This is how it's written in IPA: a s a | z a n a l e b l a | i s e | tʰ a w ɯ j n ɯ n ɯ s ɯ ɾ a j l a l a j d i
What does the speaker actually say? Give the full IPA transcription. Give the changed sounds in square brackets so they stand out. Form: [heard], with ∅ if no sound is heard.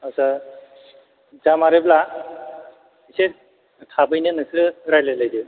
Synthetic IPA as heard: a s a | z a [m] a [ɾ] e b l a | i s e | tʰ a [b] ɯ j n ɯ n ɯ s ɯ ɾ a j l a l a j d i